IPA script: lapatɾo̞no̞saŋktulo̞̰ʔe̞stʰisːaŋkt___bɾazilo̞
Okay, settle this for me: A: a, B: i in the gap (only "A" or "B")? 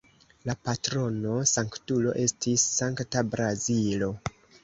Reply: A